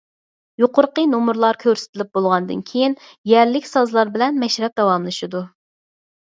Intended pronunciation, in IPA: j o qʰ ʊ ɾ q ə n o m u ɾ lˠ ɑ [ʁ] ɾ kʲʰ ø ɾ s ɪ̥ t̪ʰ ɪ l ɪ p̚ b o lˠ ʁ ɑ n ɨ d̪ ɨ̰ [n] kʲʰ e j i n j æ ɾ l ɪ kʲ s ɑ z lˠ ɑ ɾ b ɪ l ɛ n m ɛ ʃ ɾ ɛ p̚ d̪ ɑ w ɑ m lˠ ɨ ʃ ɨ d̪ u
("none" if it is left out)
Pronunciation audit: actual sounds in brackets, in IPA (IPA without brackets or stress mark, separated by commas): none, n